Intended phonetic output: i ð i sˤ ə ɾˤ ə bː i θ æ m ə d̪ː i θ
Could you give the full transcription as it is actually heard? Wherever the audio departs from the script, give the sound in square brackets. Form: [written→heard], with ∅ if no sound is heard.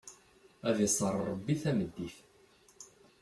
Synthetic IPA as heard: [i→æ] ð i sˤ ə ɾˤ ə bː i θ æ m ə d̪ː i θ